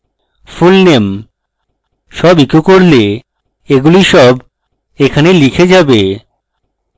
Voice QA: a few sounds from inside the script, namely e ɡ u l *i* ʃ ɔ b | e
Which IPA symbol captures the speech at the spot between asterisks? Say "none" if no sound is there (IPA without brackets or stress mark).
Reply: i